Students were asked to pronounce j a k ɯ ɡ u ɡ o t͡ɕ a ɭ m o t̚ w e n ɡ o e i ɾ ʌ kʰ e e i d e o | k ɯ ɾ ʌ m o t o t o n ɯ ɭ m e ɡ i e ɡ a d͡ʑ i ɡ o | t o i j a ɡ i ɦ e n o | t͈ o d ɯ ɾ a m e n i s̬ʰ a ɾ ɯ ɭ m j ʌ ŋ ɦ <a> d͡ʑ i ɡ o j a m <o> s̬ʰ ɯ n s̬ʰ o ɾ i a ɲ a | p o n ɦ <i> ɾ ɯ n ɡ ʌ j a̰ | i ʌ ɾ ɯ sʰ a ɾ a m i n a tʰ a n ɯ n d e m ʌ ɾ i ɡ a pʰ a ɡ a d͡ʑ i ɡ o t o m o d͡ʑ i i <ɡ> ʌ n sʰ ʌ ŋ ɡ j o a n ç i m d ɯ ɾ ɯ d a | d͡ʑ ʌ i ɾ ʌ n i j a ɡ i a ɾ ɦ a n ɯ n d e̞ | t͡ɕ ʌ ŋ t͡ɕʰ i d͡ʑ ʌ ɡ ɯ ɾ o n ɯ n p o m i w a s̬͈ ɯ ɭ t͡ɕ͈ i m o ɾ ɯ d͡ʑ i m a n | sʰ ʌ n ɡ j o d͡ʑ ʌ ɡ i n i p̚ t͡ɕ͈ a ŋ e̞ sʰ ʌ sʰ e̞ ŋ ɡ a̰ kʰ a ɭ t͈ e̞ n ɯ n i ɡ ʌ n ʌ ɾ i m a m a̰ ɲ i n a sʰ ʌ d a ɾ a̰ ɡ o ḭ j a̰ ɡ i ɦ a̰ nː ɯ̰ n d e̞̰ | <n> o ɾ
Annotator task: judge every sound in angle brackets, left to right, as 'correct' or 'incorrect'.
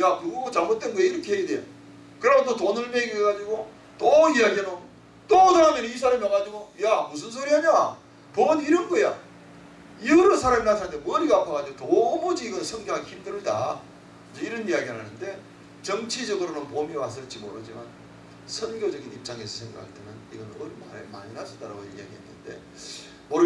correct, incorrect: u, correct, correct, incorrect: m

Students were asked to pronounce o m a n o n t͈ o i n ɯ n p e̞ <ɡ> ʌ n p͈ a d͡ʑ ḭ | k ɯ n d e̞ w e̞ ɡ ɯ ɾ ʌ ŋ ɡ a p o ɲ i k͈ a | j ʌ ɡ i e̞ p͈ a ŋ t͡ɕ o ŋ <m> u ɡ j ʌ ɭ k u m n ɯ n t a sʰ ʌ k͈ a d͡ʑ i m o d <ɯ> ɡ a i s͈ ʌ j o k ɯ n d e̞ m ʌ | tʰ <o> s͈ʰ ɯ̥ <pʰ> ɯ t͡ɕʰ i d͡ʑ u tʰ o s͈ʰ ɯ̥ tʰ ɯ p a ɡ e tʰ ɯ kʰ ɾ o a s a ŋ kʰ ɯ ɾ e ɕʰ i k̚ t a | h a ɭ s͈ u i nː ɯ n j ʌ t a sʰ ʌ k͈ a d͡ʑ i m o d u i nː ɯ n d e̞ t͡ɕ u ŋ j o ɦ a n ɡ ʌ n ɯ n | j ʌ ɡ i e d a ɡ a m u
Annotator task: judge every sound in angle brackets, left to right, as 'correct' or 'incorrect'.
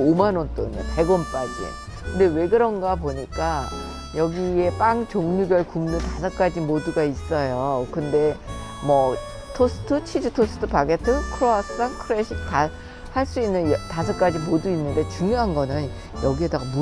correct, incorrect: ɲ, incorrect: u, correct, incorrect: tʰ

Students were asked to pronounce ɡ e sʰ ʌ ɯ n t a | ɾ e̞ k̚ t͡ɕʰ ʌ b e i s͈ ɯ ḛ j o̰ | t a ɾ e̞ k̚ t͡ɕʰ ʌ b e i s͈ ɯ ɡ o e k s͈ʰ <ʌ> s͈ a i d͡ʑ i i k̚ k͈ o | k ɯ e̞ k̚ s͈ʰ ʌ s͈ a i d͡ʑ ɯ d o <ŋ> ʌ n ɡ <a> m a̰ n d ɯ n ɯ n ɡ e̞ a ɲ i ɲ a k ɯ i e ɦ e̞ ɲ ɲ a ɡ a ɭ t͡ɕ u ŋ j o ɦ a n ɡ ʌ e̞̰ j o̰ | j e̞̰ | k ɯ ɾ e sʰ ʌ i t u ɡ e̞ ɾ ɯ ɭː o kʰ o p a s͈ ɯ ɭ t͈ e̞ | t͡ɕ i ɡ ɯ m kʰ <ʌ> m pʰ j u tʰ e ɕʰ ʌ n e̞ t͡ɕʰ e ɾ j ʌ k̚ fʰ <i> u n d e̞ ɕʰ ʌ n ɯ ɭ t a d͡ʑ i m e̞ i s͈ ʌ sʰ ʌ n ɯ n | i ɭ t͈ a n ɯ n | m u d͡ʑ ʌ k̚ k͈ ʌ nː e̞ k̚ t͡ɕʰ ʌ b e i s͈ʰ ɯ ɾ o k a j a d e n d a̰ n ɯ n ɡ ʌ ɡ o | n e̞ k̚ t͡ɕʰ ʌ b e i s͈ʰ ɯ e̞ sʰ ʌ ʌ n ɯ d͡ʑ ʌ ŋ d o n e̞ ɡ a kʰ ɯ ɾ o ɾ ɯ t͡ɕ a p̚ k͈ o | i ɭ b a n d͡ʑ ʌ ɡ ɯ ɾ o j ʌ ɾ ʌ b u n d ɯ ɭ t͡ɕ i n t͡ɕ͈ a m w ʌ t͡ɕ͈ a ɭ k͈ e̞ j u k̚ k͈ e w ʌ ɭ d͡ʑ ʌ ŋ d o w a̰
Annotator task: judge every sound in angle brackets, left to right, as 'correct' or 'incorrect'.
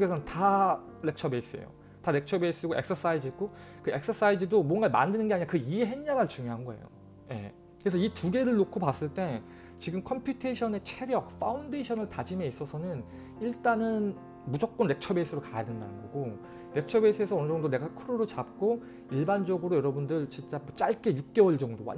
correct, incorrect: m, correct, correct, incorrect: a

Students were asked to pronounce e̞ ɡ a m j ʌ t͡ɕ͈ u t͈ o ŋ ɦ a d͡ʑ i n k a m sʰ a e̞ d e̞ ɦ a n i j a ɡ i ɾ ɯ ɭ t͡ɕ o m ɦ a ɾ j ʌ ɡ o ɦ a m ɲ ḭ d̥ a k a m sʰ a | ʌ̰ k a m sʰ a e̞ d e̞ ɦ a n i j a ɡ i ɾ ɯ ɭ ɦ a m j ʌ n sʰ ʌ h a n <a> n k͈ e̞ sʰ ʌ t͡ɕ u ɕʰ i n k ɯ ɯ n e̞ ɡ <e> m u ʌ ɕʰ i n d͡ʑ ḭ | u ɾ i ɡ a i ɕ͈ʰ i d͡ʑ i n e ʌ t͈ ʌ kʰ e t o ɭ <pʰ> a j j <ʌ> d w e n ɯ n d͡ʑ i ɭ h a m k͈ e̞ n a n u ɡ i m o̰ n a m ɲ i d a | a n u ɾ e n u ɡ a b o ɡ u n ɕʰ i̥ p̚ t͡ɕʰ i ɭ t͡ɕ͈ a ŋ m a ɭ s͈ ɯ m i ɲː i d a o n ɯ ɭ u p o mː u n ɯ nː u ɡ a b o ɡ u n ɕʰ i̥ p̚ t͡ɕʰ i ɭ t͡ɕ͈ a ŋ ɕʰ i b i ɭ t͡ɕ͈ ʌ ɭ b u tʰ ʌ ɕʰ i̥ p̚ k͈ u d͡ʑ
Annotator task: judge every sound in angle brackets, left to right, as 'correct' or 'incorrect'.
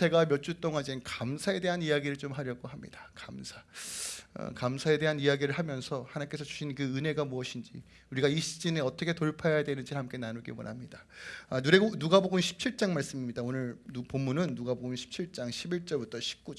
correct, incorrect: a, correct, incorrect: a

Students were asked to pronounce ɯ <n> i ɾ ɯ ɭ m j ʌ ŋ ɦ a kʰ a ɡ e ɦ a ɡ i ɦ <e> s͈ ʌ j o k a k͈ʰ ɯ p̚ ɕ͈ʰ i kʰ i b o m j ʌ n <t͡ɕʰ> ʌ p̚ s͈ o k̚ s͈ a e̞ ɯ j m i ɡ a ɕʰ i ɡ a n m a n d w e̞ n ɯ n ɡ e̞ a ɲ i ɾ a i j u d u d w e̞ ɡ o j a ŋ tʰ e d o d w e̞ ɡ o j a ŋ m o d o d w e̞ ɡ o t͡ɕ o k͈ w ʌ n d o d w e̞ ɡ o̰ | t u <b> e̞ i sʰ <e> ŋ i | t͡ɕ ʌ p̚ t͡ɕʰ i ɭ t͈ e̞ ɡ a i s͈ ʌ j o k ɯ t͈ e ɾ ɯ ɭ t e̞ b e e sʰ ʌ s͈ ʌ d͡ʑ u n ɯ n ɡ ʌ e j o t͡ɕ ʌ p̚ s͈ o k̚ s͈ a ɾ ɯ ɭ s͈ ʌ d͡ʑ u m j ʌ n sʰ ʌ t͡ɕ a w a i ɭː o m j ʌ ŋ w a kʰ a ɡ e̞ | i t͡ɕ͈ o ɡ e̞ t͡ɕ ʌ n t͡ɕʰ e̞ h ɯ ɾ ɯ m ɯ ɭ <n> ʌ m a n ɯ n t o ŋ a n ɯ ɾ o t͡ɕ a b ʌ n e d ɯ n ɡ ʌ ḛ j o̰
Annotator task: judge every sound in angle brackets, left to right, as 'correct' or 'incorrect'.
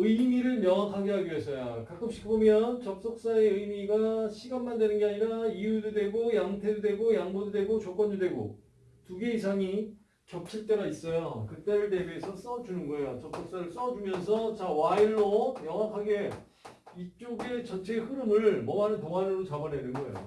incorrect: m, correct, incorrect: t͡ɕ, incorrect: ɡ, incorrect: a, incorrect: m

